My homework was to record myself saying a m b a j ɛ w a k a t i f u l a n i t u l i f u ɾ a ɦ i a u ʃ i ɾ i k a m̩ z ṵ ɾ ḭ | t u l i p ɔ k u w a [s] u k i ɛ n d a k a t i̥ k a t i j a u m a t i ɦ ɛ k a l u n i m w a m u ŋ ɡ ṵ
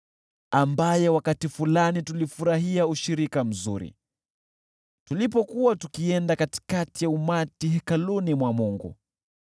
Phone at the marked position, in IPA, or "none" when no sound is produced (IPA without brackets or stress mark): t